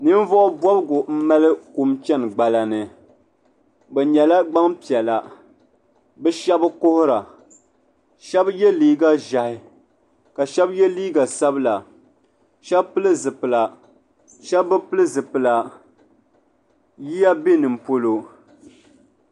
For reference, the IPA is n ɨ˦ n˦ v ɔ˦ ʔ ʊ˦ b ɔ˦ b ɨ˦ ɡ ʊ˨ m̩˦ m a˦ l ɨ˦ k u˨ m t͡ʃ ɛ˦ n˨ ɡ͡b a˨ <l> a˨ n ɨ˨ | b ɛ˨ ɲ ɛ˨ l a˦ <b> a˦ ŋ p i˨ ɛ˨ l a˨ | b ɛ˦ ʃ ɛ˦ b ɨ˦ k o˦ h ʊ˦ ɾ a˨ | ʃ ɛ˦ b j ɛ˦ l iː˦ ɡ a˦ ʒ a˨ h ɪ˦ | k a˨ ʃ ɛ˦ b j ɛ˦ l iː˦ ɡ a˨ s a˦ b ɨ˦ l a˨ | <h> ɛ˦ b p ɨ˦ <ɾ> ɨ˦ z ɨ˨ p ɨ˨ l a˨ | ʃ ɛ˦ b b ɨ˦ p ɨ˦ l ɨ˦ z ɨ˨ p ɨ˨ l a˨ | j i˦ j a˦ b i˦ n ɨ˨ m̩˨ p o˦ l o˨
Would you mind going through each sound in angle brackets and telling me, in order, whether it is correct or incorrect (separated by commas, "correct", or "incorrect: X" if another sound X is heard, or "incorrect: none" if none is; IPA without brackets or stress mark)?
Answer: correct, incorrect: ɡ͡b, incorrect: ʃ, incorrect: l